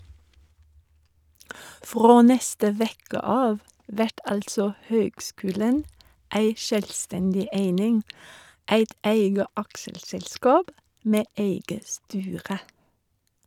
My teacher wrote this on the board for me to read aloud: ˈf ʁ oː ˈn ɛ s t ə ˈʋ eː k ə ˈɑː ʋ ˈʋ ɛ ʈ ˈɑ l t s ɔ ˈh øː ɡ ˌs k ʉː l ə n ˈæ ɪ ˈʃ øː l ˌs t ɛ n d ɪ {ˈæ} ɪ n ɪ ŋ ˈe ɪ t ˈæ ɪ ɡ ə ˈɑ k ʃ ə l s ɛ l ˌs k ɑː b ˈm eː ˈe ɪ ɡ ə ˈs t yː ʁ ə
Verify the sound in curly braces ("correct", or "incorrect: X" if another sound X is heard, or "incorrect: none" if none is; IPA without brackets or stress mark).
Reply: incorrect: e